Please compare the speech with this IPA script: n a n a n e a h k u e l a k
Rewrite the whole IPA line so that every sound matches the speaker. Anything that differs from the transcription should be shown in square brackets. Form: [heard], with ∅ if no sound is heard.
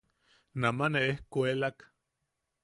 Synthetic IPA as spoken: n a [m] a n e [e] h k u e l a k